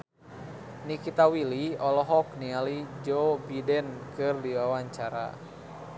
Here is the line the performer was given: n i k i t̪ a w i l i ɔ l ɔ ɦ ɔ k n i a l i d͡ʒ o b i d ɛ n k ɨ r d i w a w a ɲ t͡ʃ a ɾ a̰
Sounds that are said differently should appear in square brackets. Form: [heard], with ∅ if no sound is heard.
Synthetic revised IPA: n i k i t̪ a w i l i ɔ l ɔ ɦ ɔ k n i a l i d͡ʒ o b i d ɛ n k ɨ r d i w a w a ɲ t͡ʃ a ɾ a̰